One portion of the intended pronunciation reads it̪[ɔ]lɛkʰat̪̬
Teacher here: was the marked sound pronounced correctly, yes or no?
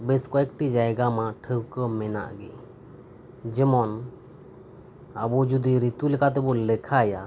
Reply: no